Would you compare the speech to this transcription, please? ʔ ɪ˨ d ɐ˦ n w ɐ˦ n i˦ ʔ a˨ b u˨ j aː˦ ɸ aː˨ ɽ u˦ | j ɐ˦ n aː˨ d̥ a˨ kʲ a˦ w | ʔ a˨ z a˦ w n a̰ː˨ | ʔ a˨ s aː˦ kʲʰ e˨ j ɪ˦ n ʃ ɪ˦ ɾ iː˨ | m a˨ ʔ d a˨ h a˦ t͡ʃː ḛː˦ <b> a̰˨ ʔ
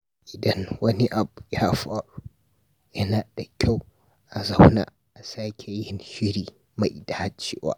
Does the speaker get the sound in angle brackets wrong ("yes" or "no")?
yes